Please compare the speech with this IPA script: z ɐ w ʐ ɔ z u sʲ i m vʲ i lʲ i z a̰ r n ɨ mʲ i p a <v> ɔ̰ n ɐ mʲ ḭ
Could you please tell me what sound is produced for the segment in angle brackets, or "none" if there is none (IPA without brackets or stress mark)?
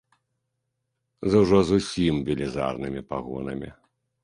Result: ɣ